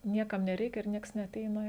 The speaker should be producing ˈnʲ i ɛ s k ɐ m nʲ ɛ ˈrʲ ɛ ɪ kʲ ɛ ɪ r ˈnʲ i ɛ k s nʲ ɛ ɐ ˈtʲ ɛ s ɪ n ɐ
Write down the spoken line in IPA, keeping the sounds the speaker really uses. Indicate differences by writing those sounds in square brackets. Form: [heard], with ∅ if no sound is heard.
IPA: ˈnʲ i ɛ [∅] k ɐ m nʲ ɛ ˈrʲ ɛ ɪ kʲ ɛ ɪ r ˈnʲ i ɛ k s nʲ ɛ ɐ ˈtʲ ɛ [∅] ɪ n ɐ